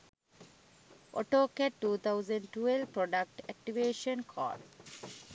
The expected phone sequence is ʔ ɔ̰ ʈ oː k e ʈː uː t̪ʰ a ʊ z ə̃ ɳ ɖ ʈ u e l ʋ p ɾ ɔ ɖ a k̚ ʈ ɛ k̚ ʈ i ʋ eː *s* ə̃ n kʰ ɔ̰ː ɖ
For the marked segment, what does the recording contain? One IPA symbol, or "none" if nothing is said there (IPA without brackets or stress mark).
ʃ